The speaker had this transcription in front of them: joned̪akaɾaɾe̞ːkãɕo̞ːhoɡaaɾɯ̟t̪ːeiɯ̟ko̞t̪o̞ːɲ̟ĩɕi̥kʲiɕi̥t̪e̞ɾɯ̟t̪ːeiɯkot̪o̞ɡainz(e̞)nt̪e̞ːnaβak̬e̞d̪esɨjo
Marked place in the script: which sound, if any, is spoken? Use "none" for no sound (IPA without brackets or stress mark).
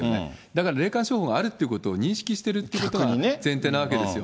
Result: ẽ̞